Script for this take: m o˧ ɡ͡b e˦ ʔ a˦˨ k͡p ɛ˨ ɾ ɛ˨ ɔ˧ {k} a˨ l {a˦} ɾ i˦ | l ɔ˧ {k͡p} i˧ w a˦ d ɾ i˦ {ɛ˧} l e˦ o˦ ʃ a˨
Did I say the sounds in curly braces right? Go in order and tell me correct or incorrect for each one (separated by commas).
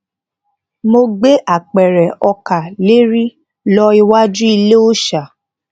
correct, incorrect, incorrect, incorrect